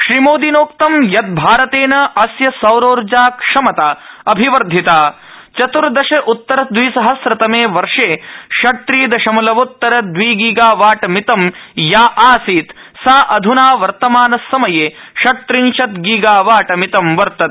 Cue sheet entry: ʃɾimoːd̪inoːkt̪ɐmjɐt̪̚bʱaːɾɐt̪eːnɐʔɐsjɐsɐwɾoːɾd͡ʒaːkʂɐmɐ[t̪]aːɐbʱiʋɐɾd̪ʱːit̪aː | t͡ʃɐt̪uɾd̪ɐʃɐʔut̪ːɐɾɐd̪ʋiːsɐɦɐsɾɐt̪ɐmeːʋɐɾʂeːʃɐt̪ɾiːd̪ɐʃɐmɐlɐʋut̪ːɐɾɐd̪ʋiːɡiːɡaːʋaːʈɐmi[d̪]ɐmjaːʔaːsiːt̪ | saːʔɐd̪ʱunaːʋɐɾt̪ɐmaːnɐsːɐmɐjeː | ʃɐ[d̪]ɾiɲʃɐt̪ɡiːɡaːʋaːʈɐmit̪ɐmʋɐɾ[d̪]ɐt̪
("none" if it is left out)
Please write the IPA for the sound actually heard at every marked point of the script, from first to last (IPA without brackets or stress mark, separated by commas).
t̪, t̪, t̪, t̪